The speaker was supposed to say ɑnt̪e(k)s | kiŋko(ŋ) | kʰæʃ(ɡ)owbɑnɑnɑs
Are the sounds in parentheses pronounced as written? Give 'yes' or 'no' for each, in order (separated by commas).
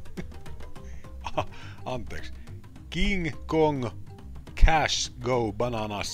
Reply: yes, yes, yes